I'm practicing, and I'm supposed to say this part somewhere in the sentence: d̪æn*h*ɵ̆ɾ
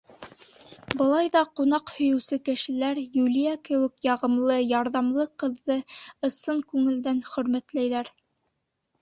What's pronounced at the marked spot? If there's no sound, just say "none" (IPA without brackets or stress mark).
χ